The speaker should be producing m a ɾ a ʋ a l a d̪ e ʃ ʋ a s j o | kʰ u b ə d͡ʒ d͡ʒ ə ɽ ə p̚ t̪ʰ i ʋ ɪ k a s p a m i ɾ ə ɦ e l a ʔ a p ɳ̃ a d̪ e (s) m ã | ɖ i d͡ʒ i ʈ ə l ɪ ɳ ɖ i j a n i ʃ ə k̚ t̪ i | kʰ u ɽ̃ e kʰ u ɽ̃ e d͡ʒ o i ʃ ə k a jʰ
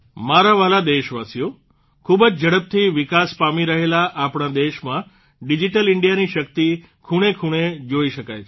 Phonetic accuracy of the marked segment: incorrect: ʃ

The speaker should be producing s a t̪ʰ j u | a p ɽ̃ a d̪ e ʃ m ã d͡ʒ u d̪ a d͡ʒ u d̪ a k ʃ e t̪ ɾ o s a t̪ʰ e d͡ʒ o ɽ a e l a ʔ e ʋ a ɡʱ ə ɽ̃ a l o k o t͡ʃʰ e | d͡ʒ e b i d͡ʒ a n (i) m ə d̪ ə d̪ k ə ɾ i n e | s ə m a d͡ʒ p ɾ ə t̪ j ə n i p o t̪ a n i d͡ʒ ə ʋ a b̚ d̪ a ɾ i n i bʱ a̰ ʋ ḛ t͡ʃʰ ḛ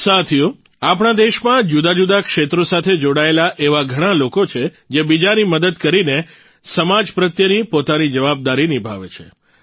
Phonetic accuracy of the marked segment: correct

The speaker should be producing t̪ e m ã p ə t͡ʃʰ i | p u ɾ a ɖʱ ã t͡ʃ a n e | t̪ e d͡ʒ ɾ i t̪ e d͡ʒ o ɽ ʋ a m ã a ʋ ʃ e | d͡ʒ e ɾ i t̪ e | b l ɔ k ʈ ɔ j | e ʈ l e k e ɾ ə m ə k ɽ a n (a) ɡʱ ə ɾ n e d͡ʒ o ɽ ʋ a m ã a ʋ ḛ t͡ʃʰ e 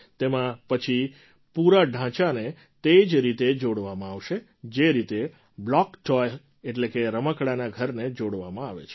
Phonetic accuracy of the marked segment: correct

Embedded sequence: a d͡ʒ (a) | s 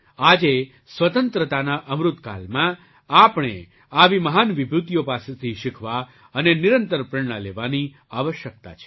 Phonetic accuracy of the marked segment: incorrect: e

